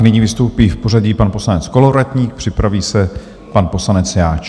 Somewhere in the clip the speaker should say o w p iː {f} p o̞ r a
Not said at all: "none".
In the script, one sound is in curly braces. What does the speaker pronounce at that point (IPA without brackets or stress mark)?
f